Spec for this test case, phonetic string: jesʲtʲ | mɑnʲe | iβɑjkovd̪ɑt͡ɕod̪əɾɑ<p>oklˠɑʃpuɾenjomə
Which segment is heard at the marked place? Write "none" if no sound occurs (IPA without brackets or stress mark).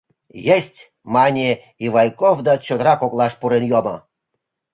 k